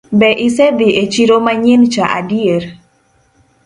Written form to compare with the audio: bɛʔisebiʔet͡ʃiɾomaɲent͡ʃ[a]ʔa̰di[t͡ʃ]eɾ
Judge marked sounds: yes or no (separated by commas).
yes, no